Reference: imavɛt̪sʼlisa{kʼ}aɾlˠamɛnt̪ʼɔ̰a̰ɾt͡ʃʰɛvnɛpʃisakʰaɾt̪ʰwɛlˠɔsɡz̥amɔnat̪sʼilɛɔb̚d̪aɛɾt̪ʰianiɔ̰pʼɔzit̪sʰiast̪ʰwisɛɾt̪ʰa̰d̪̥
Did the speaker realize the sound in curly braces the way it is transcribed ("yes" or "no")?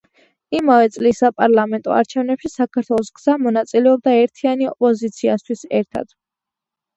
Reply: no